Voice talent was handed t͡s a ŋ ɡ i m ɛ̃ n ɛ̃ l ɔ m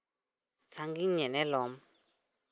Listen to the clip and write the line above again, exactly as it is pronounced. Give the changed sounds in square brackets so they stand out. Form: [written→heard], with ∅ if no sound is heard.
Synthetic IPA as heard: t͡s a ŋ ɡ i [m→ɲ] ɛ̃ n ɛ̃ l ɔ m